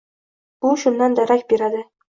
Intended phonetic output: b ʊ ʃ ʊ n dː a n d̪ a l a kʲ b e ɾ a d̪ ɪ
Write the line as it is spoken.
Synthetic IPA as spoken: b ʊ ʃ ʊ n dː a n d̪ a ɾ a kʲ b e ɾ a d̪ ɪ